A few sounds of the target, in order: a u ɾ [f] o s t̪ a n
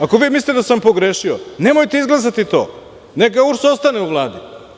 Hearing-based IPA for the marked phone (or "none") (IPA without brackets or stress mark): s